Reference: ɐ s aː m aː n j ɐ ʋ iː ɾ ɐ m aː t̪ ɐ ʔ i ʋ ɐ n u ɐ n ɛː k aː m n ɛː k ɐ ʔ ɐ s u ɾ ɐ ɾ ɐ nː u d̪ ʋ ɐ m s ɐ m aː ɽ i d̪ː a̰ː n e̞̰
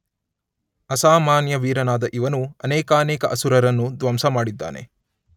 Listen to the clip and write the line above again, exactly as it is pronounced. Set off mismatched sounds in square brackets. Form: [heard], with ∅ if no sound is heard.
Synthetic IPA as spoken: ɐ s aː m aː n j ɐ ʋ iː ɾ ɐ [n] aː [d̪] ɐ ʔ i ʋ ɐ n u ɐ n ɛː k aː [∅] n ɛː k ɐ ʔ ɐ s u ɾ ɐ ɾ ɐ nː u d̪ ʋ ɐ m s ɐ m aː ɽ i d̪ː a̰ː n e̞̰